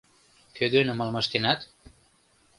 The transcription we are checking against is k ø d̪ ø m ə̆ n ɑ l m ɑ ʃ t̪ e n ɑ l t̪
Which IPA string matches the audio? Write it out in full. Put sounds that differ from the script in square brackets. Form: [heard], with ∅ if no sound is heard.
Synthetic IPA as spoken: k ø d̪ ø [n] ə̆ [m] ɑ l m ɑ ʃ t̪ e n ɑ [∅] t̪